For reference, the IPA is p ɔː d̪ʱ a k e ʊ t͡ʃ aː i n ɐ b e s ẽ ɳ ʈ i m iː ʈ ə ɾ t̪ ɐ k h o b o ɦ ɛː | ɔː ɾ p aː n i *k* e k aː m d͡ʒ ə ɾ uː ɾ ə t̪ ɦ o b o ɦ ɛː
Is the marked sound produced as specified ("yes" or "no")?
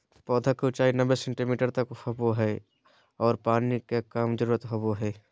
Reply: yes